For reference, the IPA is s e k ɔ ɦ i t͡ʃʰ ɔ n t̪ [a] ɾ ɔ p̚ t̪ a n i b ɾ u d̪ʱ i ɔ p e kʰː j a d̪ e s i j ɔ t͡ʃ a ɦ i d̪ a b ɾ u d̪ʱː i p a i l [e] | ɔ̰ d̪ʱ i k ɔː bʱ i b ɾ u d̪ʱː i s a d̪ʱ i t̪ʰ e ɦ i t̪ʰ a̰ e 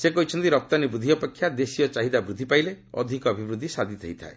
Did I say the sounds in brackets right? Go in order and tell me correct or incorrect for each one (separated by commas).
incorrect, correct